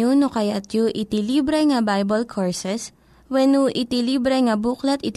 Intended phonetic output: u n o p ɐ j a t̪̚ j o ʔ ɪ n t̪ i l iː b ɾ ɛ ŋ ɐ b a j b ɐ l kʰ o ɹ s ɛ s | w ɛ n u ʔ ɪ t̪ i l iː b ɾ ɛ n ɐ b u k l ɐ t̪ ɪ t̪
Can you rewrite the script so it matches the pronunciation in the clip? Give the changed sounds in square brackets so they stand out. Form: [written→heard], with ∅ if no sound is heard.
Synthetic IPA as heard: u n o [p→k] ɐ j a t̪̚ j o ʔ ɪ [n→∅] t̪ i l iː b ɾ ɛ ŋ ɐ b a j b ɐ l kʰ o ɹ s ɛ s | w ɛ n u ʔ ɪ t̪ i l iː b ɾ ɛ [n→ŋ] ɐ b u k l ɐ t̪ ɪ t̪